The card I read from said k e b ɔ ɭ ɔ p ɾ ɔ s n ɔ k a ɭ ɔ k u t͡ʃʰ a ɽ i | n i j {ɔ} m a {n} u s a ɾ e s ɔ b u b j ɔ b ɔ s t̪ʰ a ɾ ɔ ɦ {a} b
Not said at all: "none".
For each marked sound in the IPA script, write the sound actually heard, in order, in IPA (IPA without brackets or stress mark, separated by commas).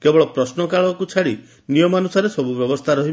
ɔ, n, i